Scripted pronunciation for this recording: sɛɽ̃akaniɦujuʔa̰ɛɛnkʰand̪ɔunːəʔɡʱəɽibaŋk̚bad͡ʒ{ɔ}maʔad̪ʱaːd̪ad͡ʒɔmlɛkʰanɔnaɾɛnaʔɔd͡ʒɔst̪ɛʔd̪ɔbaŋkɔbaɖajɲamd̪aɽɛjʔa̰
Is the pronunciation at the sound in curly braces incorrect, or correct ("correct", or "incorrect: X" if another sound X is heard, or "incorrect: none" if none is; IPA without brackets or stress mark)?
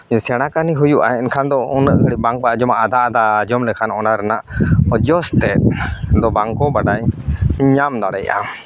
correct